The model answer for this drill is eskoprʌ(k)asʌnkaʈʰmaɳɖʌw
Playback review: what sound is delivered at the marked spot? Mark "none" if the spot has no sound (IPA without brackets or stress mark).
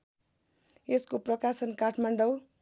k